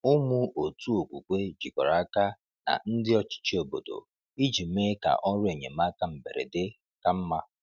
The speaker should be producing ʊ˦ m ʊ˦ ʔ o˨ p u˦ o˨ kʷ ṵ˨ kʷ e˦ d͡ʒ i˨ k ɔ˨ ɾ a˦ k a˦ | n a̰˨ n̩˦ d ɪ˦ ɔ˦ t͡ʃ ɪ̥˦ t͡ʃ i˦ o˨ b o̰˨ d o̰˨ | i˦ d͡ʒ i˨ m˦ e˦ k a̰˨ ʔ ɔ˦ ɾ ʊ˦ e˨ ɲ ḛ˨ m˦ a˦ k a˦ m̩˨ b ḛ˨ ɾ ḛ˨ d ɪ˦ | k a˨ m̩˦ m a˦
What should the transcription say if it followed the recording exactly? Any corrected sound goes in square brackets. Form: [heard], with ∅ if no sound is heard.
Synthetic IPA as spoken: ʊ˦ m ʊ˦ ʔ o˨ [t] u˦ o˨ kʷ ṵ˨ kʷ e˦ d͡ʒ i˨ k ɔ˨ ɾ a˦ k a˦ | n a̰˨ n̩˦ d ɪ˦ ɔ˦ t͡ʃ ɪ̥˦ t͡ʃ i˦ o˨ b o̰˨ d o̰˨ | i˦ d͡ʒ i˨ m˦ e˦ k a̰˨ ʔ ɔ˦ ɾ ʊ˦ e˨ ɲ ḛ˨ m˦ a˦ k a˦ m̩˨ b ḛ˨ ɾ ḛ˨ d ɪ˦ | k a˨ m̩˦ m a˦